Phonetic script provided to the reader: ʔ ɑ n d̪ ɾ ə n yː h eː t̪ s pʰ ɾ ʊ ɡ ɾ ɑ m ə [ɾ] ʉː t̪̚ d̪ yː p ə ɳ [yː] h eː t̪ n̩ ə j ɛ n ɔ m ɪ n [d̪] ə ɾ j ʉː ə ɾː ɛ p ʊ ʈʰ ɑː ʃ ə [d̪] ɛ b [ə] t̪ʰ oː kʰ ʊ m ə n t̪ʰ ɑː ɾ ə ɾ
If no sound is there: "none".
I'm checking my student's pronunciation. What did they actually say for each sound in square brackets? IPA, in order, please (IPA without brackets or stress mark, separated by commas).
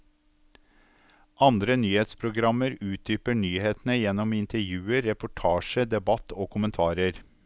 ɾ, yː, t̪, d̪, ɑ